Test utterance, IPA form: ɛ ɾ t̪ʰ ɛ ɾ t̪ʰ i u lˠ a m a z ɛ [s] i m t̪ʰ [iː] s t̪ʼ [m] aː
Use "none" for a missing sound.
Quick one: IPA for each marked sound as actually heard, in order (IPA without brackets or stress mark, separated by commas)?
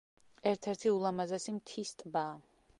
s, i, b